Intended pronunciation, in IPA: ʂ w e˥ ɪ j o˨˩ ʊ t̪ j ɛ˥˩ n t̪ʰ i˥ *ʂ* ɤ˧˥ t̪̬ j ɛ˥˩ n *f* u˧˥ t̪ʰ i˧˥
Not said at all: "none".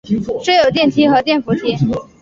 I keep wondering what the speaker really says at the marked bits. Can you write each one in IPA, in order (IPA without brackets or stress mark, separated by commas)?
x, f